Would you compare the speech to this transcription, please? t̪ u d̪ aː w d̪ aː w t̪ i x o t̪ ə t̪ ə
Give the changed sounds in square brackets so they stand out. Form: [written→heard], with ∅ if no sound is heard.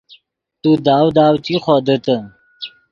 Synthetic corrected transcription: t̪ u d̪ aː w d̪ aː w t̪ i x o [t̪→d̪] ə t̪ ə